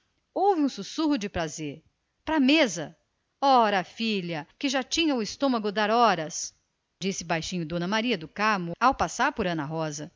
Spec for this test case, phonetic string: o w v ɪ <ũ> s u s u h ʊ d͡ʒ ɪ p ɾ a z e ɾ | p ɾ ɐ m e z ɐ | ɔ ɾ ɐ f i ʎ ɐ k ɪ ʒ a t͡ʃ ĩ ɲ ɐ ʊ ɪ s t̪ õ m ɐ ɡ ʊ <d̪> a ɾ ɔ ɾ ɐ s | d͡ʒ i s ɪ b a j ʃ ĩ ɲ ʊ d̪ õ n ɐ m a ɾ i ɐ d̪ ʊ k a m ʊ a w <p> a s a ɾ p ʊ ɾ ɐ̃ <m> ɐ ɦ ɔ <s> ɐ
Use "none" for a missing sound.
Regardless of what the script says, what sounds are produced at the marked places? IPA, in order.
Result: ũ, d̪, p, n, z

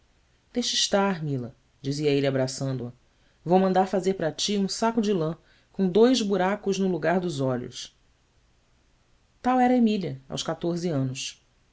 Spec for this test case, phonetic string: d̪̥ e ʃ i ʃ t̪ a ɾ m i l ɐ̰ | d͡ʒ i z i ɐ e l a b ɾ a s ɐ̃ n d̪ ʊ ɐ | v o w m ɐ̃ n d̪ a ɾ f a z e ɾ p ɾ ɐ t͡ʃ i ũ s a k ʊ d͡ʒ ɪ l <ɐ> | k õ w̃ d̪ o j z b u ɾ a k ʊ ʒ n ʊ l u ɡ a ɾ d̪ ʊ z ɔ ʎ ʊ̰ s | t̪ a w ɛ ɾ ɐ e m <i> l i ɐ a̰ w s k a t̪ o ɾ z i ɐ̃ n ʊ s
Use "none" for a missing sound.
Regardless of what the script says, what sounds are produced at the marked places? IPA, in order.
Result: ɐ̃, i

